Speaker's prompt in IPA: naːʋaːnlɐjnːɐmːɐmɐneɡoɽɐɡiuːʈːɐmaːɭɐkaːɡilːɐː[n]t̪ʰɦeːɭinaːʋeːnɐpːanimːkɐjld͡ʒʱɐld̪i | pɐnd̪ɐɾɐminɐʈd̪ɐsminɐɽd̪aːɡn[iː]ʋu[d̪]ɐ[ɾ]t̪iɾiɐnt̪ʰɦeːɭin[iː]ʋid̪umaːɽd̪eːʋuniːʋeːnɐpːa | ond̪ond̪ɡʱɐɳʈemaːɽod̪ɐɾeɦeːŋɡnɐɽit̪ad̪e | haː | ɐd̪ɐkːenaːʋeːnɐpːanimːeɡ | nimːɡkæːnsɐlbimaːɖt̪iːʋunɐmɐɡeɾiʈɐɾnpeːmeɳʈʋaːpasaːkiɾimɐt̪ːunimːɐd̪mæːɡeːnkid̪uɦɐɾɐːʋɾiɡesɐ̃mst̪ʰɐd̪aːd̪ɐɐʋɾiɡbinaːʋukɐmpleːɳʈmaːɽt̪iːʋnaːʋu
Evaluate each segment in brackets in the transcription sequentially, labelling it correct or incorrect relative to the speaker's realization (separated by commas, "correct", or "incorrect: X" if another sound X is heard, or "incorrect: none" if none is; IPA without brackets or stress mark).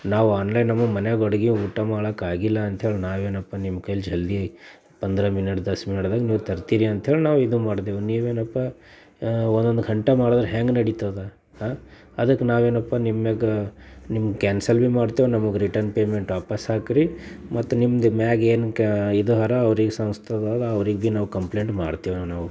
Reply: correct, correct, incorrect: t̪, correct, incorrect: aː